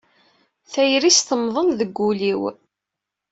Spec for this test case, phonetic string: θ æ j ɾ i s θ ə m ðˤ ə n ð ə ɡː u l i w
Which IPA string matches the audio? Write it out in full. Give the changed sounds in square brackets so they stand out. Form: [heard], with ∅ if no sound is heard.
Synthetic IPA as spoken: θ æ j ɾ i s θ ə m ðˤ ə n ð ə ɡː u l i w